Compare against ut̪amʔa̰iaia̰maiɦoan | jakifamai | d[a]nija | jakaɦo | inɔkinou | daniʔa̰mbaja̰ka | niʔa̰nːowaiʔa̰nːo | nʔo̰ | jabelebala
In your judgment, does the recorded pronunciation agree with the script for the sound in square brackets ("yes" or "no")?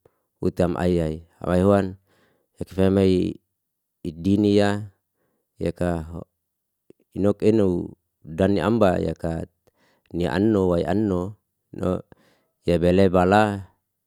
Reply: no